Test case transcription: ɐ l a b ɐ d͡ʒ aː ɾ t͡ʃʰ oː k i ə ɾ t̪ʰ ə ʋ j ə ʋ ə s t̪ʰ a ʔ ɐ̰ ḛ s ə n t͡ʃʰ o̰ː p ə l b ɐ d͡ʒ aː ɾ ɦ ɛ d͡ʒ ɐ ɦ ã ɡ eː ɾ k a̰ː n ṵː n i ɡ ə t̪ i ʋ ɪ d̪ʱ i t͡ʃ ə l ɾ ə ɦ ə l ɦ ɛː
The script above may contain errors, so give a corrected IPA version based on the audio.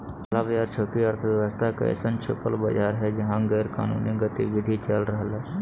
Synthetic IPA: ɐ l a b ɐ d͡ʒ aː ɾ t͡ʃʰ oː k i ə ɾ t̪ʰ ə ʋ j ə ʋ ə s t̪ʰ a k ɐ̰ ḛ s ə n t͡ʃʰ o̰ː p ə l b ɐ d͡ʒ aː ɾ ɦ ɛ d͡ʒ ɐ ɦ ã ɡ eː ɾ k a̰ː n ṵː n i ɡ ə t̪ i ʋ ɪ d̪ʱ i t͡ʃ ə l ɾ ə ɦ ə l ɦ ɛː